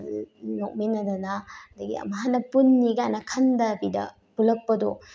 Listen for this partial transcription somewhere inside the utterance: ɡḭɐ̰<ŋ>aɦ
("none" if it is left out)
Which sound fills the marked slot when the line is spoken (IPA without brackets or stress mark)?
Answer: m